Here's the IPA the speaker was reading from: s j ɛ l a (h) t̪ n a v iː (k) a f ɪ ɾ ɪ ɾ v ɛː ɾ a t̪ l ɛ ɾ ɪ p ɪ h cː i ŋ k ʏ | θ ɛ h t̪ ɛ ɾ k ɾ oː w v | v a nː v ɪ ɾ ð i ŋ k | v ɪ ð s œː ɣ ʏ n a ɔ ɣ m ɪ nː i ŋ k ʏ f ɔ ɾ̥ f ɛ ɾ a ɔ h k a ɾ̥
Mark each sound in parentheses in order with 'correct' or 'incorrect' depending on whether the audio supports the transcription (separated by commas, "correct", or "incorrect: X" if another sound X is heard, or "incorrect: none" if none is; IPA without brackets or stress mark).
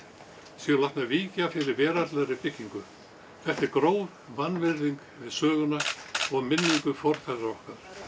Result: correct, incorrect: c